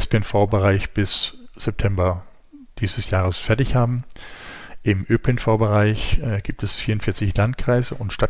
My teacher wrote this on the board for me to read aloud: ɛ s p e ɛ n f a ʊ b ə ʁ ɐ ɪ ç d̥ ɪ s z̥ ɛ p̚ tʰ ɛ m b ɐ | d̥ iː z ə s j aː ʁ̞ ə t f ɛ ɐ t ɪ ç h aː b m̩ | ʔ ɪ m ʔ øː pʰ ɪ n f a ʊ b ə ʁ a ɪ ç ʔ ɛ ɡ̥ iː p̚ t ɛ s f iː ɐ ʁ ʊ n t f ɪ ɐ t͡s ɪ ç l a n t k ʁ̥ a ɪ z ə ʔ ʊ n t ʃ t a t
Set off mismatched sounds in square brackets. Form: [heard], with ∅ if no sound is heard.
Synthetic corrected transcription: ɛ s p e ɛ n f a ʊ b ə ʁ [a] ɪ ç [b̥] ɪ s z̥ ɛ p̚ tʰ ɛ m b ɐ | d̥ iː z ə s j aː ʁ̞ ə [s] f ɛ ɐ t ɪ ç h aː b m̩ | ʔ ɪ m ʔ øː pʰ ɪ n f a ʊ b ə ʁ a ɪ ç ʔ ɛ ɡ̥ iː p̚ t ɛ s f iː ɐ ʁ ʊ n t f ɪ ɐ t͡s ɪ ç l a n t k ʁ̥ a ɪ z ə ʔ ʊ n t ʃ t a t

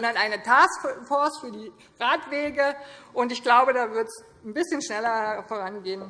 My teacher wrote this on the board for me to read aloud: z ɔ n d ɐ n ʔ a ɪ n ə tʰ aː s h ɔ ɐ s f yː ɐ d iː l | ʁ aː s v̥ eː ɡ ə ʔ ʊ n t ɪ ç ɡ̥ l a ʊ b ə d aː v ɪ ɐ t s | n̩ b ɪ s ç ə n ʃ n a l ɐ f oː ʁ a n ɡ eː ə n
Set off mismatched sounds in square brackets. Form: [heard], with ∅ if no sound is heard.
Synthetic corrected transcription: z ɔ n d ɐ n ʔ a ɪ n ə tʰ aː s [f] ɔ ɐ s f yː ɐ d iː [∅] | ʁ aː [t] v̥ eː ɡ ə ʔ ʊ n t ɪ ç ɡ̥ l a ʊ b ə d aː v ɪ ɐ t s | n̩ b ɪ s ç ə n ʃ n [ɛ] l ɐ f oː ʁ a n ɡ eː ə n

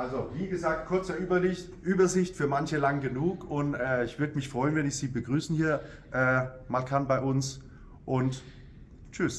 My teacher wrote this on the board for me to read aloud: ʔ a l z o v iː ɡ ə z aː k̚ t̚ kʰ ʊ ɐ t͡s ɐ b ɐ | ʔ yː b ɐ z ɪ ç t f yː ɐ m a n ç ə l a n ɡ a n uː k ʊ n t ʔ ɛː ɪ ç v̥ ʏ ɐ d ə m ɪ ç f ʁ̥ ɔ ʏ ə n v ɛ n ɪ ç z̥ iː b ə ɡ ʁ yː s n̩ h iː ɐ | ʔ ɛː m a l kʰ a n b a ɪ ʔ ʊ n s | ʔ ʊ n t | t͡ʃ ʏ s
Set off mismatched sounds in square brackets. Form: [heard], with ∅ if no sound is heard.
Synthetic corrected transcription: ʔ a l z o v iː ɡ ə z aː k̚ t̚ kʰ ʊ ɐ t͡s ɐ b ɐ | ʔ yː b ɐ z ɪ ç t f yː ɐ m a n ç ə l a [ŋ] ɡ [ə] n uː k ʊ n t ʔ ɛː ɪ ç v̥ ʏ ɐ d ə m ɪ ç f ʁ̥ ɔ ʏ ə n v ɛ n ɪ ç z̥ iː b ə ɡ ʁ yː s n̩ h iː ɐ | ʔ ɛː m a l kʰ a n b a ɪ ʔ ʊ n s | ʔ ʊ n t | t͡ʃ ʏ s

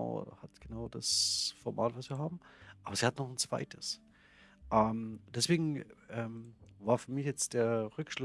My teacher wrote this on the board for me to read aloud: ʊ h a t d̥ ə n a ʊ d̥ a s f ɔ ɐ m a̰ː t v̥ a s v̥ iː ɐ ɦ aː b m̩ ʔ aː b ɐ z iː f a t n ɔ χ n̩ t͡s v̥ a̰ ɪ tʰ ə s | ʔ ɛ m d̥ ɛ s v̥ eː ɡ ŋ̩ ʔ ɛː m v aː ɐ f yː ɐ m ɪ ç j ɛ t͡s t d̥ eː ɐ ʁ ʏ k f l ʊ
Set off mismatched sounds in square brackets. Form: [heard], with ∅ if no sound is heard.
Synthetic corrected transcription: ʊ h a t [ɡ̥] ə n a ʊ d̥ a s f ɔ ɐ m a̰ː t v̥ a s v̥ iː ɐ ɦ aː b m̩ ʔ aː b ɐ z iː [h] a t n ɔ χ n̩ t͡s v̥ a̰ ɪ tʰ ə s | ʔ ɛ m d̥ ɛ s v̥ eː ɡ ŋ̩ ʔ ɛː m v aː ɐ f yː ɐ m ɪ ç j ɛ t͡s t d̥ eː ɐ ʁ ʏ k [ʃ] l ʊ

